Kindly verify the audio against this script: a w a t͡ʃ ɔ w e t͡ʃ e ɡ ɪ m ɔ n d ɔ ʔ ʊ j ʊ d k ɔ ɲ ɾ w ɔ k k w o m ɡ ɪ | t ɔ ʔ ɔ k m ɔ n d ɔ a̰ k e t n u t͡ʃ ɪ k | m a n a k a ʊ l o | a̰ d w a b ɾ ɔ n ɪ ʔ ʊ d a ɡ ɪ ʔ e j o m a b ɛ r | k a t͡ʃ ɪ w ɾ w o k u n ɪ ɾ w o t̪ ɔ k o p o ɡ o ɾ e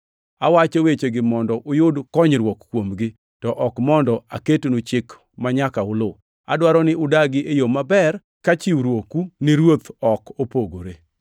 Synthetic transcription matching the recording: a w a t͡ʃ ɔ w e t͡ʃ e ɡ ɪ m ɔ n d ɔ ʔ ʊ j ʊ d k ɔ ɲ ɾ w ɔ k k w o m ɡ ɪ | t ɔ ʔ ɔ k m ɔ n d ɔ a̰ k e t n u t͡ʃ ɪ k | m a ɲ a k a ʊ l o | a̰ d w a ɾ ɔ n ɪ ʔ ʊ d a ɡ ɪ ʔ e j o m a b ɛ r | k a t͡ʃ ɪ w ɾ w o k u n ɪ ɾ w o t̪ ɔ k o p o ɡ o ɾ e